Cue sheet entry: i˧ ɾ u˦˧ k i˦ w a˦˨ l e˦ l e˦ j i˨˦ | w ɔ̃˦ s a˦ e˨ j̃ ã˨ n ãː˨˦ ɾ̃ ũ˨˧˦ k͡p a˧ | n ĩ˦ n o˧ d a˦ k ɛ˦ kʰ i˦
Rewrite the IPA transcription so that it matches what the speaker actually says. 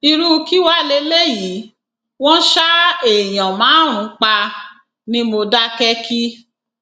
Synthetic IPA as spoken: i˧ ɾ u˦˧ k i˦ w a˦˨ l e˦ l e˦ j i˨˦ | w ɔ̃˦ ʃ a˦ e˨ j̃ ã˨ m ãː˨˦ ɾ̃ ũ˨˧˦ k͡p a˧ | n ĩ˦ m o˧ d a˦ k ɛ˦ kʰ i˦